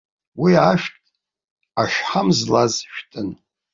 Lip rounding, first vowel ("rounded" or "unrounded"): unrounded